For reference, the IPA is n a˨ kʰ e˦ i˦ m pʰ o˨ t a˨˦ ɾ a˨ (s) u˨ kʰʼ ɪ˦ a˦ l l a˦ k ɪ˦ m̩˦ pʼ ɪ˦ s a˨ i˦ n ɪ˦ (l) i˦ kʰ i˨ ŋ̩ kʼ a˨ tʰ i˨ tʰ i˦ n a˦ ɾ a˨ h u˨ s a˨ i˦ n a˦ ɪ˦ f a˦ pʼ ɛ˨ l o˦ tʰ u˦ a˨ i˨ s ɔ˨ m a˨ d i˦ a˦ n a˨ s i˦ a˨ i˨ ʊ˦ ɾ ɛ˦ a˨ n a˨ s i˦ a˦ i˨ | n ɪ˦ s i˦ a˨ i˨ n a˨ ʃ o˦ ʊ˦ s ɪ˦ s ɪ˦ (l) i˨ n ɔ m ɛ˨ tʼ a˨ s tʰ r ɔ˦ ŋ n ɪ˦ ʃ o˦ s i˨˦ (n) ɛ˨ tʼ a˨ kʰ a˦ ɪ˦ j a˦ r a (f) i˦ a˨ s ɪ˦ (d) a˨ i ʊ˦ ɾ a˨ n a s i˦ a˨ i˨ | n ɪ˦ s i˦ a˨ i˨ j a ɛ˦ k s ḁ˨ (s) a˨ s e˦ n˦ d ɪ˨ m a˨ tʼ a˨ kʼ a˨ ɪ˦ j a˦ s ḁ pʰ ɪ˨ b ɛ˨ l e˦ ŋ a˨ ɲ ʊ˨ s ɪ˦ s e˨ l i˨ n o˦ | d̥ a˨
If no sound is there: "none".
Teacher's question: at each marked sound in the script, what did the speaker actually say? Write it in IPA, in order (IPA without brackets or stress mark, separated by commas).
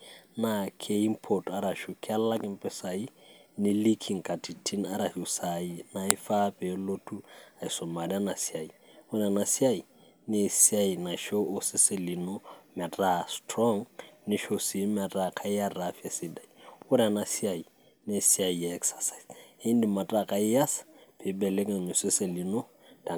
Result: ʃ, l, l, m, f, d, s